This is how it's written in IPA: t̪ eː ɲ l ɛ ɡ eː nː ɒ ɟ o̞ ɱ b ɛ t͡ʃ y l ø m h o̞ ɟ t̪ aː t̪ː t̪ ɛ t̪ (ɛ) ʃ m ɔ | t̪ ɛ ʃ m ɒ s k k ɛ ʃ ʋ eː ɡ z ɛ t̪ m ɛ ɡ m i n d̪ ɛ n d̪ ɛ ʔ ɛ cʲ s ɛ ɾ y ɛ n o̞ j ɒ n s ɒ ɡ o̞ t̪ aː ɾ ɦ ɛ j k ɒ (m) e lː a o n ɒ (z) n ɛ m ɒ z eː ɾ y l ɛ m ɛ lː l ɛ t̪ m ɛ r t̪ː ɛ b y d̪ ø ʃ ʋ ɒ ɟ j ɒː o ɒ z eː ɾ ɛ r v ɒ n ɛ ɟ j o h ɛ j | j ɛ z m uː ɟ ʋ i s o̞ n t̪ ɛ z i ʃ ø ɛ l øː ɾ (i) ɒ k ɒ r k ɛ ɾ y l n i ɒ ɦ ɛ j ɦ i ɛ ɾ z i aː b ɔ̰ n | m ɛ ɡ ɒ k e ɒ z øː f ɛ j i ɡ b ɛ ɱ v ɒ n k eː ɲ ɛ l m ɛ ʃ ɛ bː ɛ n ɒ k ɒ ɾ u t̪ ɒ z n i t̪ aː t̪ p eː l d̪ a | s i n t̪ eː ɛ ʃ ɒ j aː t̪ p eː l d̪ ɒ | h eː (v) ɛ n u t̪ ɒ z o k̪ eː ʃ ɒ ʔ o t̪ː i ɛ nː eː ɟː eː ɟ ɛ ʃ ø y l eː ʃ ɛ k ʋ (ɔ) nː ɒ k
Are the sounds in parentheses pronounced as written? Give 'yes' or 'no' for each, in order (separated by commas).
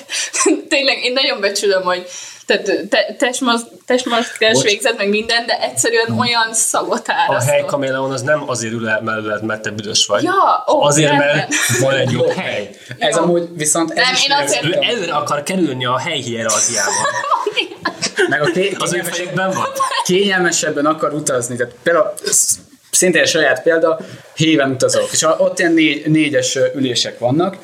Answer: yes, yes, yes, no, yes, no